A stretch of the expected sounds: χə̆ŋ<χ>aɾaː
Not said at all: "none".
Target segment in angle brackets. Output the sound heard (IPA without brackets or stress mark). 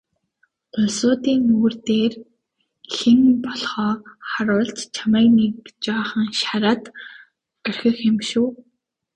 ʃ